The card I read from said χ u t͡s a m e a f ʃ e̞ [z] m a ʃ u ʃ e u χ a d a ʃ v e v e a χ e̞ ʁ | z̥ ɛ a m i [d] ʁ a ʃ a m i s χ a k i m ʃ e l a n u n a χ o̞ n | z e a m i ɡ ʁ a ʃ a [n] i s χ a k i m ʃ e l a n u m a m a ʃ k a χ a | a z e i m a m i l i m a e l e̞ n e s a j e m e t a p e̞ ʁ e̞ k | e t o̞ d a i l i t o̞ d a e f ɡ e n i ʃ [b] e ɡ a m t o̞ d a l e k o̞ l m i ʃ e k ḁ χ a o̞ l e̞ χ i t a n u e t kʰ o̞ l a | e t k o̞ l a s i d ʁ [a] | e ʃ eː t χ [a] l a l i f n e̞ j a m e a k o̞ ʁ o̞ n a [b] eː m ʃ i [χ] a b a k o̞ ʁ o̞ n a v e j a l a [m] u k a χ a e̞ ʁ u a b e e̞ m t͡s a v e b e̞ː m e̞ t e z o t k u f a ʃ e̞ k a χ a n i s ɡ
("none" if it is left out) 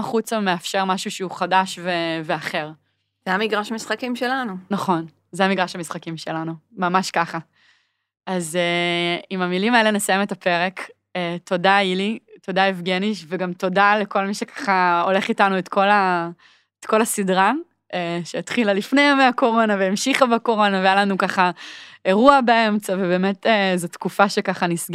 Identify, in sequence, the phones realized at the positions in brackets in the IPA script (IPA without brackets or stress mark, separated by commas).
ʁ, ɡ, m, v, a, i, v, χ, n